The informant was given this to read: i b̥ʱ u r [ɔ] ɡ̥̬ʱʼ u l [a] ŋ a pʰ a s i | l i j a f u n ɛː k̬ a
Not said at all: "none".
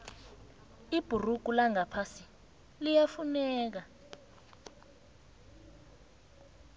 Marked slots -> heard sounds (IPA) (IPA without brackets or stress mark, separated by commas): u, a